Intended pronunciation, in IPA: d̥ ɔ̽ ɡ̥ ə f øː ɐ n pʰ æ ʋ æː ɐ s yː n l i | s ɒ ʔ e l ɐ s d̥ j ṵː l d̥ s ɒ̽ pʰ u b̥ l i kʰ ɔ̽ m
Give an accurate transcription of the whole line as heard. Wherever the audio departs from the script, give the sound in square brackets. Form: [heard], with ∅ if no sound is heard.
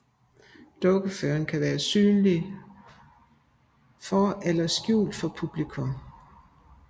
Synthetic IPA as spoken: d̥ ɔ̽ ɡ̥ ə f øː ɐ n [kʰ] æ ʋ æː ɐ s yː n l i | [f] ɒ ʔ e l ɐ s [ɡ̥] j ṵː l d̥ [f] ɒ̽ pʰ u b̥ l i kʰ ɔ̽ m